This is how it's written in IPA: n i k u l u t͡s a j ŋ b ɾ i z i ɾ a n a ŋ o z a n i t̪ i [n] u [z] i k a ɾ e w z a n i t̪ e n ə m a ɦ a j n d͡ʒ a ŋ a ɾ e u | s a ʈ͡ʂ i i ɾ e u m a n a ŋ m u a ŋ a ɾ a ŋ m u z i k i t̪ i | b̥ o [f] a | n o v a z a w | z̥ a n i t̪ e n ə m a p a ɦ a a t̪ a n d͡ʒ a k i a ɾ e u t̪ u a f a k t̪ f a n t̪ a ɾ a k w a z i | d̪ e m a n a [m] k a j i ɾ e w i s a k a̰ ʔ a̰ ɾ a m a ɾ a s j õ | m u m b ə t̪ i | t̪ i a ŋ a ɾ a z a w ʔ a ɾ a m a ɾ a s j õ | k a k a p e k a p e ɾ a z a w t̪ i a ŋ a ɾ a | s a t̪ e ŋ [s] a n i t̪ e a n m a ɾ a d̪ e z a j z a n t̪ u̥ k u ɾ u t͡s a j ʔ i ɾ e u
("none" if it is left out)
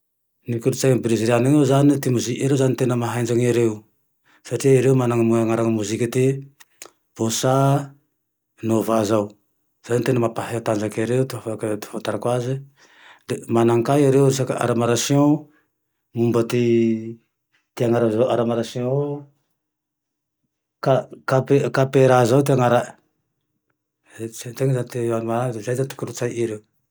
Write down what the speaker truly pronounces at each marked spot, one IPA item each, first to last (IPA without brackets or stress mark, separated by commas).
m, z, s, ŋ, z